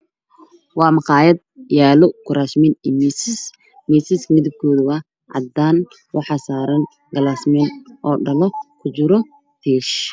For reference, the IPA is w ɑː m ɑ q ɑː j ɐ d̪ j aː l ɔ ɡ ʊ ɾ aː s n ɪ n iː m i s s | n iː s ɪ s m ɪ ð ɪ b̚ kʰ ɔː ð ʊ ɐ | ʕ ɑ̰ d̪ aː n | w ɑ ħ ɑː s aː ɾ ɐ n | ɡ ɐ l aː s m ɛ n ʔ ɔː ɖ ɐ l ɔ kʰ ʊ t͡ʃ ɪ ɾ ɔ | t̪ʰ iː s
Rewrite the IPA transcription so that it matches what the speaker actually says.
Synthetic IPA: w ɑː m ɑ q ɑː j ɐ d̪ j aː l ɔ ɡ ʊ ɾ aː s m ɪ n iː m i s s | m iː s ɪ s m ɪ ð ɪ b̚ kʰ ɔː ð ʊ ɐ | ʕ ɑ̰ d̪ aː n | w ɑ ħ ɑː s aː ɾ ɐ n | ɡ ɐ l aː s m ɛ n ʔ ɔː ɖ ɐ l ɔ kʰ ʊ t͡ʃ ɪ ɾ ɔ | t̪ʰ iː ʃ